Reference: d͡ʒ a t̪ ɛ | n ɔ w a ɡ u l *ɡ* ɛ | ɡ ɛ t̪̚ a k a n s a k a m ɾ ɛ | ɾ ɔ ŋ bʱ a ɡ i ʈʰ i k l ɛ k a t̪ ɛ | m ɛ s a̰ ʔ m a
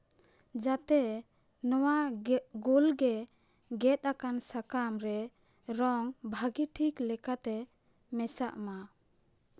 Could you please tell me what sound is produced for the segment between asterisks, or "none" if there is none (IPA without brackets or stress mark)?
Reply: ɡ